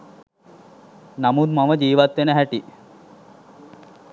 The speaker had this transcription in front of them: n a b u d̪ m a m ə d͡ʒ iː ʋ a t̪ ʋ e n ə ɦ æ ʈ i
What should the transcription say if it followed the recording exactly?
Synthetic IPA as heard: n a m u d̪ m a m ə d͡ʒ iː ʋ a t̪ ʋ e n ə ɦ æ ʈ i

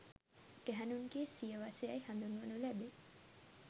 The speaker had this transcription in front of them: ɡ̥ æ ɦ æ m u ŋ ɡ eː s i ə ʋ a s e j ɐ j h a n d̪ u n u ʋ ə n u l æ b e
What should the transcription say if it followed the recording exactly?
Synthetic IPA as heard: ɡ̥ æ ɦ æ n u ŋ ɡ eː s i ə ʋ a s e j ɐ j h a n d̪ u n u ʋ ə n u l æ b e

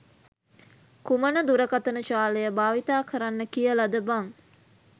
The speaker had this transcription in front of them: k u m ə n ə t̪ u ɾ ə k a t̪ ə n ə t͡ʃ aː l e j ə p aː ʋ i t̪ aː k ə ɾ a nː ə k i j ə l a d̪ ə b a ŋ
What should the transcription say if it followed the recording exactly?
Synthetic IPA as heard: k u m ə n ə d̪ u ɾ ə k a t̪ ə n ə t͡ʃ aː l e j ə b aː ʋ i t̪ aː k ə ɾ a nː ə k i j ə l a d̪ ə b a ŋ

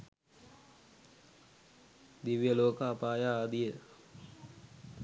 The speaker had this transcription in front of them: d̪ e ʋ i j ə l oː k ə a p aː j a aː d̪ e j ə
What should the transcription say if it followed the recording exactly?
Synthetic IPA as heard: d̪ i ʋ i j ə l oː k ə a p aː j a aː d̪ i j ə

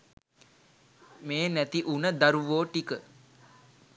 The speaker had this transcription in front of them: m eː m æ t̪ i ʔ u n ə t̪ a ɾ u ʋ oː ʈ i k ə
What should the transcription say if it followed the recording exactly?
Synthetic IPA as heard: m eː n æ t̪ i ʔ u n ə d̪ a ɾ u ʋ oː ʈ i k ə

